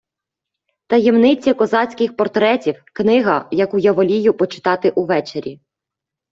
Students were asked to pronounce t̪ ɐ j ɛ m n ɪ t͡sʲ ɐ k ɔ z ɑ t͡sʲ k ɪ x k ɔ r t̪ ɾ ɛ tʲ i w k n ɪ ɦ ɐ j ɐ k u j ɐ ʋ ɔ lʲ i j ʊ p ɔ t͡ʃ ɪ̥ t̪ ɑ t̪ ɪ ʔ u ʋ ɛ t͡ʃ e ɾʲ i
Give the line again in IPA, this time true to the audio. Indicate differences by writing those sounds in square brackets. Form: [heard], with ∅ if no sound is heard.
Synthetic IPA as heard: t̪ ɐ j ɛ m n ɪ t͡sʲ ɐ k ɔ z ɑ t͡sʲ k ɪ x [p] ɔ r t̪ ɾ ɛ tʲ i w k n ɪ ɦ ɐ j ɐ k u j ɐ ʋ ɔ lʲ i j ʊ p ɔ t͡ʃ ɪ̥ t̪ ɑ t̪ ɪ ʔ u ʋ ɛ t͡ʃ e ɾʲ i

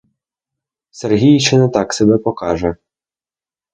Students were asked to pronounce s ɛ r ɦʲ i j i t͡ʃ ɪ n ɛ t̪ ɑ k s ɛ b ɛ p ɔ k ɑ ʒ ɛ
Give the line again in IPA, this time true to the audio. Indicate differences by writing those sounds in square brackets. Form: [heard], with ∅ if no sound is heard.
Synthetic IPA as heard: s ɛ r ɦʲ i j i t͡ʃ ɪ n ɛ t̪ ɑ k s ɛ b ɛ p ɔ k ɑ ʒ ɛ

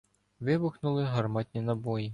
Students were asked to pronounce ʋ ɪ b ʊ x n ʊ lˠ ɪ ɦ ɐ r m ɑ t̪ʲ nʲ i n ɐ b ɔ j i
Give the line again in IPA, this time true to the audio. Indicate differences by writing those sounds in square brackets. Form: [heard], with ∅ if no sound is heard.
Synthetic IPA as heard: ʋ ɪ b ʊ x n ʊ lˠ ɪ ɦ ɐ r m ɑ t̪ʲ nʲ i n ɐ b ɔ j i

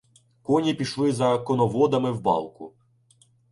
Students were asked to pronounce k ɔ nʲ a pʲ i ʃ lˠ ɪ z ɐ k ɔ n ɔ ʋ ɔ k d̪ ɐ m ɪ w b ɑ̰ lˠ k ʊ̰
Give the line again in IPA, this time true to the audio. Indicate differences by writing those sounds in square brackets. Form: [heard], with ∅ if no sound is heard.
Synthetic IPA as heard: k ɔ nʲ [i] pʲ i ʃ lˠ ɪ z ɐ k ɔ n ɔ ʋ ɔ [∅] d̪ ɐ m ɪ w b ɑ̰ lˠ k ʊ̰

